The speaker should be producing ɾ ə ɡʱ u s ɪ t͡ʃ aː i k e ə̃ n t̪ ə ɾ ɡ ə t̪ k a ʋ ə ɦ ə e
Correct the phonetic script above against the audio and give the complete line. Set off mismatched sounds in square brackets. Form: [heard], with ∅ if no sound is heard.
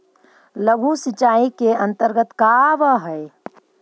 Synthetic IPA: [l] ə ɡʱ u s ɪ t͡ʃ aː i k e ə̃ n t̪ ə ɾ ɡ ə t̪ k a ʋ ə ɦ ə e